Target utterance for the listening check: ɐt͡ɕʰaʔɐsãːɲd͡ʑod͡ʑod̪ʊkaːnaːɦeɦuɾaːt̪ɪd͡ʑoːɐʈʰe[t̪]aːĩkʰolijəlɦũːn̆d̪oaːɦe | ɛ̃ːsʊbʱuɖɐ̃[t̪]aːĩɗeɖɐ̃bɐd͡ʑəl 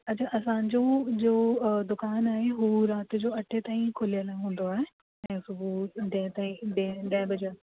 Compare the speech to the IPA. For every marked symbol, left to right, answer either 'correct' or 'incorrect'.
correct, correct

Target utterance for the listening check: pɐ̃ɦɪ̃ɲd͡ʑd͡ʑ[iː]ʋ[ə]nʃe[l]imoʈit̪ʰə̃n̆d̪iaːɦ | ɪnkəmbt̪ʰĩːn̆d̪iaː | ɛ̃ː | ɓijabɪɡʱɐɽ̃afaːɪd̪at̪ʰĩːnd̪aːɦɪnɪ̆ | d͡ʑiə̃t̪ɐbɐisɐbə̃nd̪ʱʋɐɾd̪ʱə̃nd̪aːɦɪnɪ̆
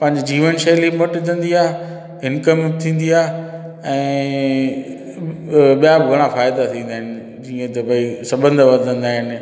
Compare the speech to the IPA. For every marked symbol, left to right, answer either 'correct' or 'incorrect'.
correct, correct, correct

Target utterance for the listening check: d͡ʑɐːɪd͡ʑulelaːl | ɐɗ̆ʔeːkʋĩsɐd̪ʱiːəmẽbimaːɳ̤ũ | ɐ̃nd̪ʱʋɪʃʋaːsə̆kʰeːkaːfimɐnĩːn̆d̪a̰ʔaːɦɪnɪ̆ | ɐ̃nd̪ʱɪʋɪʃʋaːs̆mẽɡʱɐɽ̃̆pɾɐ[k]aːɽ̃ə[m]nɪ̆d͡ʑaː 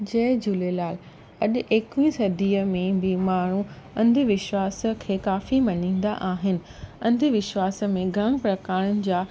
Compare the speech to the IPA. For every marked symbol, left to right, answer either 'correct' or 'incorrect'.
correct, incorrect

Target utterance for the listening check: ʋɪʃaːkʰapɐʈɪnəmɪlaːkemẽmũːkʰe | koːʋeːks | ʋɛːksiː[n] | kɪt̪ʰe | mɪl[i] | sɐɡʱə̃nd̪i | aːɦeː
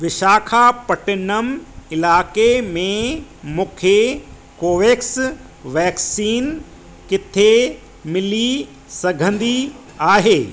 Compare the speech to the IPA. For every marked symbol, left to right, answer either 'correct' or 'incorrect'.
correct, correct

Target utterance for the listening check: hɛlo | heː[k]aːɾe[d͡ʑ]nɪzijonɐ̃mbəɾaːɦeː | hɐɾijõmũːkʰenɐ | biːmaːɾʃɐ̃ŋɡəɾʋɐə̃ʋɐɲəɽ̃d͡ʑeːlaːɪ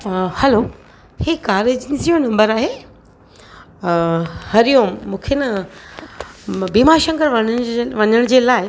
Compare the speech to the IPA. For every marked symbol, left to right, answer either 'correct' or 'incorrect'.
correct, correct

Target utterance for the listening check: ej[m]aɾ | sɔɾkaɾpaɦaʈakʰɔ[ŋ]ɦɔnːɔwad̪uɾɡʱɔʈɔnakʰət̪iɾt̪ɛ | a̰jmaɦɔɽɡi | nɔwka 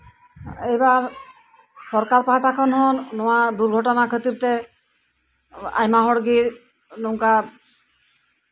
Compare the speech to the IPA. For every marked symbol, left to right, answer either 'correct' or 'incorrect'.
incorrect, incorrect

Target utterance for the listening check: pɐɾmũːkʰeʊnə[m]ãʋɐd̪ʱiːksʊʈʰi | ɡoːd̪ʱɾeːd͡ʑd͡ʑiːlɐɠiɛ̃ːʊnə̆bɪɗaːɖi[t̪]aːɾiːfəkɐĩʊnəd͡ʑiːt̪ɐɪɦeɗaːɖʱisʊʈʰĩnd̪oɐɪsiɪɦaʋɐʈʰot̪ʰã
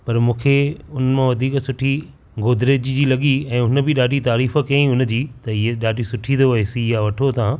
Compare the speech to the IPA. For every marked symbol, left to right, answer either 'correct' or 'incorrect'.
correct, correct

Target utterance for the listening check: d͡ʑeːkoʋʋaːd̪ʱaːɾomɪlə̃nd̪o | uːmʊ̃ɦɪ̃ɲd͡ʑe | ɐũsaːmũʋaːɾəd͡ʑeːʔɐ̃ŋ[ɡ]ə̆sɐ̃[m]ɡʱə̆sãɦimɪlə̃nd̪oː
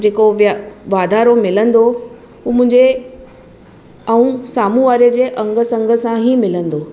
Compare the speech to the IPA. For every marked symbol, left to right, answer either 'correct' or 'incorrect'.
correct, incorrect

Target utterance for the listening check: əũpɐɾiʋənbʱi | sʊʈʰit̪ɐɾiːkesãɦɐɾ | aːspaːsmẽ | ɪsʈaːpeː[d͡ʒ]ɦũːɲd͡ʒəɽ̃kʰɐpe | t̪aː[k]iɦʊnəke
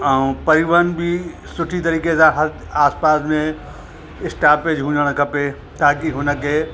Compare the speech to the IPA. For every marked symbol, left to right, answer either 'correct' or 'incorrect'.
correct, correct

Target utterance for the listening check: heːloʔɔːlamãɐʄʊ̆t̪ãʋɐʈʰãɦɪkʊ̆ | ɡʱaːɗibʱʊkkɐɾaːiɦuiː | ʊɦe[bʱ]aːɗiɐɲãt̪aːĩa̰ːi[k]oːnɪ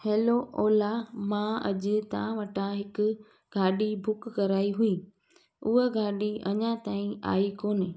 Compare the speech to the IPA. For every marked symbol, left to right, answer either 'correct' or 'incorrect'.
incorrect, correct

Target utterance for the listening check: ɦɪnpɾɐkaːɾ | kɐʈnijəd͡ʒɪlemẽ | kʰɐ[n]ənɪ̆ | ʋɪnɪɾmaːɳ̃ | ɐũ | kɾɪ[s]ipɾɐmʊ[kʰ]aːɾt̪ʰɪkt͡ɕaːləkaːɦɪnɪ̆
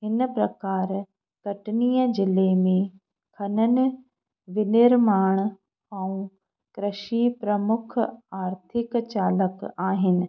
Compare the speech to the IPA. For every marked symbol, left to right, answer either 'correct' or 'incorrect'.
correct, incorrect, correct

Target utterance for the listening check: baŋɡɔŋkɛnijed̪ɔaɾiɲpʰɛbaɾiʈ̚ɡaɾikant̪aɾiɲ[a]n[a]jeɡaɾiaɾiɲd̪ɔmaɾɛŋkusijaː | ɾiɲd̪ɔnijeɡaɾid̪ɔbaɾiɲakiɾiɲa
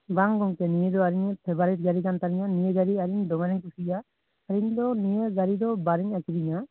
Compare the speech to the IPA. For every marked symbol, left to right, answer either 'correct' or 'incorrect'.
correct, incorrect

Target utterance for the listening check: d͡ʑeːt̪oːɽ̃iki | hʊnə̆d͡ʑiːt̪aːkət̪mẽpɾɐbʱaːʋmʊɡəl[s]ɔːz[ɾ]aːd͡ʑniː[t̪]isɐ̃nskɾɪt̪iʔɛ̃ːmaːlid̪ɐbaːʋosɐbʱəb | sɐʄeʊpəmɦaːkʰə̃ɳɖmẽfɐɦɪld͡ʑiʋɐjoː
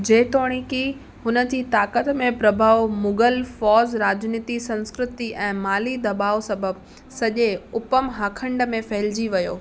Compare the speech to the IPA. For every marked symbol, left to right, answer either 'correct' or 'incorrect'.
incorrect, correct, correct

